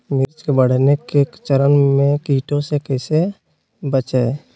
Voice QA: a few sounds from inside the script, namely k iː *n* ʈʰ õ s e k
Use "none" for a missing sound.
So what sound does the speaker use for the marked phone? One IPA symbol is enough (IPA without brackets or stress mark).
none